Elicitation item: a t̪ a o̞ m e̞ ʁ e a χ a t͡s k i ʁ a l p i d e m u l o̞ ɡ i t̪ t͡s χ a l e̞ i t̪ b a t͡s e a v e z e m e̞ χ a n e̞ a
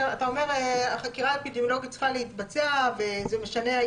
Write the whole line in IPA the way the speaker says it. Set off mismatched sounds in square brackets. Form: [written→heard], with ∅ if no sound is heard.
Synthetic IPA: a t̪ a o̞ m e̞ ʁ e a χ a [t͡s→∅] k i ʁ a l p i d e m [u→o] l o̞ ɡ i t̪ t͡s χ a l e̞ i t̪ b a t͡s e a v e z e m e̞ [χ→ʃ] a n e̞ a